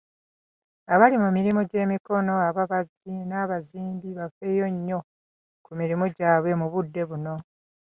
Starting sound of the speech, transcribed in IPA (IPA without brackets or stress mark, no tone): a